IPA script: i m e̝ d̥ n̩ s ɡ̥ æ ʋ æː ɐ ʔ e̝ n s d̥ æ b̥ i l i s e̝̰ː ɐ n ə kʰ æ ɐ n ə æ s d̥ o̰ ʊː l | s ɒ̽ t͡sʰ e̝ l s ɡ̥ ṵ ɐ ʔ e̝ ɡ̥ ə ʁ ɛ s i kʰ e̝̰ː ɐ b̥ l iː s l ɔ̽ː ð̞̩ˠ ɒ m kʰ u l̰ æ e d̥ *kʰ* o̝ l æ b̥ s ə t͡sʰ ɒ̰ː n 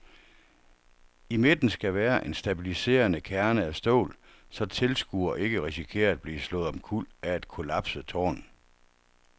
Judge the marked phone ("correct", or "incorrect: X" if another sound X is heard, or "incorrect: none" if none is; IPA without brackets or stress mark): correct